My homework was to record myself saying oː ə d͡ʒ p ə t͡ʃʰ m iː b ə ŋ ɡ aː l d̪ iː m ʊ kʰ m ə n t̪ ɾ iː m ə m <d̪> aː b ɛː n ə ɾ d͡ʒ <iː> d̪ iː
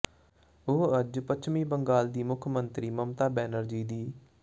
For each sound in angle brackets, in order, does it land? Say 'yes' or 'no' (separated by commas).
no, yes